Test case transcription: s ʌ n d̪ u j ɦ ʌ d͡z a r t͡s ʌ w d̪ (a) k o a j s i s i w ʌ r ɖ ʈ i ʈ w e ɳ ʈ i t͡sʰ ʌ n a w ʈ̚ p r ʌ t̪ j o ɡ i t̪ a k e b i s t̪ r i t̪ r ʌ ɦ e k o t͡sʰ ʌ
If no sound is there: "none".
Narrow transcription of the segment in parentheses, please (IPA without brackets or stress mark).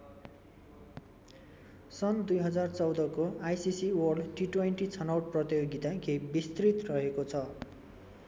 ʌ